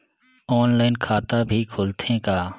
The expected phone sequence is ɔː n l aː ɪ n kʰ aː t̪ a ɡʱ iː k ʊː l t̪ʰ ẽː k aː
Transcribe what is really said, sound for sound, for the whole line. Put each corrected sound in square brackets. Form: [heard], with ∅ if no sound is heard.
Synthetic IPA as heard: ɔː n l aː ɪ n kʰ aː t̪ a [bʱ] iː [kʰ] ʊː l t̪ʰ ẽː k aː